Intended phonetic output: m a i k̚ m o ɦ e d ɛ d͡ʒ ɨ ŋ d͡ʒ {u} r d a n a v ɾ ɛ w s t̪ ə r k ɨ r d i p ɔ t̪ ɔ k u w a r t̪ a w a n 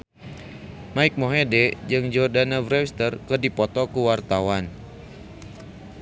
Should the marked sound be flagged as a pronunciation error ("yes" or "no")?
yes